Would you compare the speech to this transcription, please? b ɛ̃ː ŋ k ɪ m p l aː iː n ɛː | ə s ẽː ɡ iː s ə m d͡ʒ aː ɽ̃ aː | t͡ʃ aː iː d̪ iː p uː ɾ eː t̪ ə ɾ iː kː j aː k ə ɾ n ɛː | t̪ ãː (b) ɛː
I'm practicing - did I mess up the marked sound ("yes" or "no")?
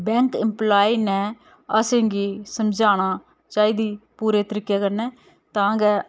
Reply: yes